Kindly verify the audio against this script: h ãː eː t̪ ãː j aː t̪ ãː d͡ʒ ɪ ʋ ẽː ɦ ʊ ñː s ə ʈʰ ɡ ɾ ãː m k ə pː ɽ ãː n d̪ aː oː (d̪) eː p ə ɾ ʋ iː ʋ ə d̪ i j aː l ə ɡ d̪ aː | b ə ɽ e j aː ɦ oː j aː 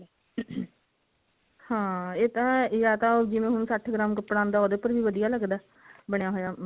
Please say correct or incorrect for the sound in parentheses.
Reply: correct